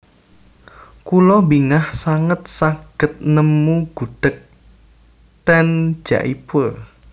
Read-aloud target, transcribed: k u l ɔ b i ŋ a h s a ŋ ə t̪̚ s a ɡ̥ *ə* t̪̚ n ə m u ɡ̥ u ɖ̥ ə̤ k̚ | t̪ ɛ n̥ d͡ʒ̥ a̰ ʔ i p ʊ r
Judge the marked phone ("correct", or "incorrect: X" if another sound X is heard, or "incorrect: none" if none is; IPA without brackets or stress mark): correct